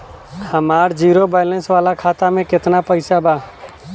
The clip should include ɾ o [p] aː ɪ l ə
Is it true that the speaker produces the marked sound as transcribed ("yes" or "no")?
no